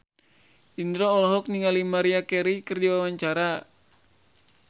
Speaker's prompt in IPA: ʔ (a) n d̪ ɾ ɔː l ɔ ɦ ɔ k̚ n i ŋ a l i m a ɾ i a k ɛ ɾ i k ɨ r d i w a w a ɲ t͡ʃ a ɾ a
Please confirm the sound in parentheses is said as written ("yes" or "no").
no